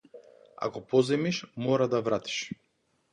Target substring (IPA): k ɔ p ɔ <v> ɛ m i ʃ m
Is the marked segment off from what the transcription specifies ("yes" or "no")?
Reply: yes